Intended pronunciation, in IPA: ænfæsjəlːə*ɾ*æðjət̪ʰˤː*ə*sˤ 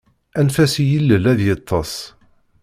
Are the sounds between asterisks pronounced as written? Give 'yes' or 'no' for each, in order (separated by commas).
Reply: no, no